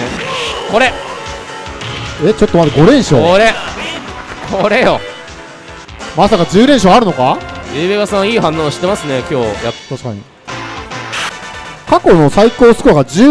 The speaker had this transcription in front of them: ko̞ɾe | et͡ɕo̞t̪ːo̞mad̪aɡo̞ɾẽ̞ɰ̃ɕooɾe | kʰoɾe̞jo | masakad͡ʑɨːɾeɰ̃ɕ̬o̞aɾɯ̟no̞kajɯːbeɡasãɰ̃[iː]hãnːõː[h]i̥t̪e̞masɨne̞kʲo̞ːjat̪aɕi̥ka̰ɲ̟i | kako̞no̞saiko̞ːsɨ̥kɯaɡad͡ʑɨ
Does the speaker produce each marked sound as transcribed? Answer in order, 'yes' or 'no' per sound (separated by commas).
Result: yes, no